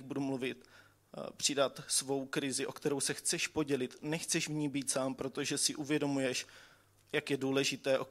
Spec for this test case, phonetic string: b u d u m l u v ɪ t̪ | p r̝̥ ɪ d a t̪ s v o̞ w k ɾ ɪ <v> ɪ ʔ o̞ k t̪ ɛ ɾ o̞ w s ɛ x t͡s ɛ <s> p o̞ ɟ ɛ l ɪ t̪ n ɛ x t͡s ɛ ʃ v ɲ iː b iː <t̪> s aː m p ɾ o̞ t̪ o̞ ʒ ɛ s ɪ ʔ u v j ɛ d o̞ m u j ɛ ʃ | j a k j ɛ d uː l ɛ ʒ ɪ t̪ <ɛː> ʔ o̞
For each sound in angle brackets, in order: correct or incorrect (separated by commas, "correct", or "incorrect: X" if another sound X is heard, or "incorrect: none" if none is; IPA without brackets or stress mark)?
incorrect: z, incorrect: ʃ, correct, correct